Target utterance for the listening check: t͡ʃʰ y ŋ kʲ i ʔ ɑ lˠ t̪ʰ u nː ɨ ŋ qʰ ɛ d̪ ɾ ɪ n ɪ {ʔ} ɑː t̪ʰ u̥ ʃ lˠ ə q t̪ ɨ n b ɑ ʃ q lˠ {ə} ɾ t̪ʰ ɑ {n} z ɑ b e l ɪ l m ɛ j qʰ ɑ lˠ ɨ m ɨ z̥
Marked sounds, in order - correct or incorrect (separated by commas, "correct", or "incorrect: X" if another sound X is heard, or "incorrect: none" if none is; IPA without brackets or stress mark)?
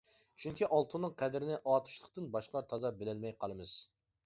correct, incorrect: ɑ, incorrect: none